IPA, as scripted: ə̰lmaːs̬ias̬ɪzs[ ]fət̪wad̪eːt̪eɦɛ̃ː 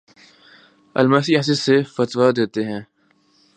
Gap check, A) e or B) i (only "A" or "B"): A